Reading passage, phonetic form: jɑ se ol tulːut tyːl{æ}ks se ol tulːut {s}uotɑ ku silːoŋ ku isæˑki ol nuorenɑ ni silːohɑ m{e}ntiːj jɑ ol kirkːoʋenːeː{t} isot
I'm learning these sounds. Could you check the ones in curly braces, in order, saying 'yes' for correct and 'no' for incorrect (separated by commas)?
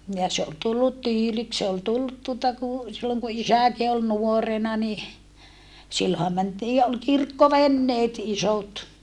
no, no, no, yes